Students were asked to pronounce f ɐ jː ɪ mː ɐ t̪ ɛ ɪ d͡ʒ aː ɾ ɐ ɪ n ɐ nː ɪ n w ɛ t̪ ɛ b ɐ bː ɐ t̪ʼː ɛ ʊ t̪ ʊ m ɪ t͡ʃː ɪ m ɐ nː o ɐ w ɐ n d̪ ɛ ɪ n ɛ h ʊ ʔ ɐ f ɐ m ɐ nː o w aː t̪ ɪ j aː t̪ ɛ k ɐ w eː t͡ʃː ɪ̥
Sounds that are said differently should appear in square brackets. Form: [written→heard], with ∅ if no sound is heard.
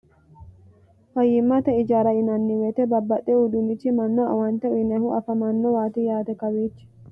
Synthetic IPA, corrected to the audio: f ɐ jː ɪ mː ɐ t̪ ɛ ɪ d͡ʒ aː ɾ ɐ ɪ n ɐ nː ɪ [n→∅] w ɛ t̪ ɛ b ɐ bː ɐ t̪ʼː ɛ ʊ [t̪→d̪] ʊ m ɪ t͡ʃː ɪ m ɐ nː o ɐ w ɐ n [d̪→t̪] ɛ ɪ n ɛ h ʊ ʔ ɐ f ɐ m ɐ nː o w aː t̪ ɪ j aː t̪ ɛ k ɐ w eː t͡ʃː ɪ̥